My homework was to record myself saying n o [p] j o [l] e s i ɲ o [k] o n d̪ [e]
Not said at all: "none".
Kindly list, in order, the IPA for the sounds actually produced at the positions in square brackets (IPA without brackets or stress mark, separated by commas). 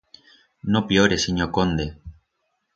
p, ɾ, k, e